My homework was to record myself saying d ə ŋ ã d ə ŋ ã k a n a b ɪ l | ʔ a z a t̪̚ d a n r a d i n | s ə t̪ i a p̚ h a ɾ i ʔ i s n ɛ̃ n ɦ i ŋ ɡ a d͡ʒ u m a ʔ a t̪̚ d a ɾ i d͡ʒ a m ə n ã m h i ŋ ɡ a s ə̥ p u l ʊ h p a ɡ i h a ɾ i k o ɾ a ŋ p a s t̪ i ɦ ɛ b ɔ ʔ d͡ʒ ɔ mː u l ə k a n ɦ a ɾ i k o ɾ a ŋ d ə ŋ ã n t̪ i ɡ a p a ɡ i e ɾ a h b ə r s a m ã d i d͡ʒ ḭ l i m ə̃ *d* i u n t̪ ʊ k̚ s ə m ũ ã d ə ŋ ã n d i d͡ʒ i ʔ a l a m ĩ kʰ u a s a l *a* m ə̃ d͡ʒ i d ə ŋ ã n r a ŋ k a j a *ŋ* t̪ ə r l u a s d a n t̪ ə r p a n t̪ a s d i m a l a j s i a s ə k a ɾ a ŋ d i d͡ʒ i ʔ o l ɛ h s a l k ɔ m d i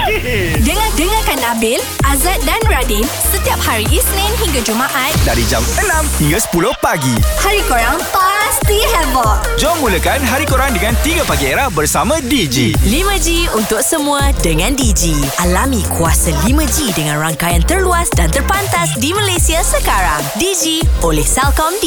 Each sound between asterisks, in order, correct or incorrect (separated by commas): incorrect, incorrect, incorrect